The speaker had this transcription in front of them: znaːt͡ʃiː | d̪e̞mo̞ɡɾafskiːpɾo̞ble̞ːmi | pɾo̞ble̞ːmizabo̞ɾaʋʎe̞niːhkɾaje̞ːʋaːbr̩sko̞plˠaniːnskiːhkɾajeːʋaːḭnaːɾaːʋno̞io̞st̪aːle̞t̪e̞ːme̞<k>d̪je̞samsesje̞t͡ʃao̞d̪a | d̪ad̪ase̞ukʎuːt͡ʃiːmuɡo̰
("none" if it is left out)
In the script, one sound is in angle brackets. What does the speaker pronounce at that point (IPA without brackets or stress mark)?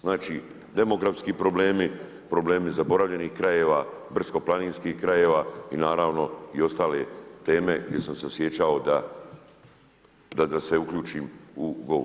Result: ɡ